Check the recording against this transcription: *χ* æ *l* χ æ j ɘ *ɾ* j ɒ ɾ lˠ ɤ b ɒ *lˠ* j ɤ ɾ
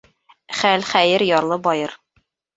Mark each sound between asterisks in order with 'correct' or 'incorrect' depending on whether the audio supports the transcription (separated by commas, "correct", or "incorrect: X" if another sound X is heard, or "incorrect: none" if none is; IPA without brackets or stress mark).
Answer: correct, correct, correct, incorrect: none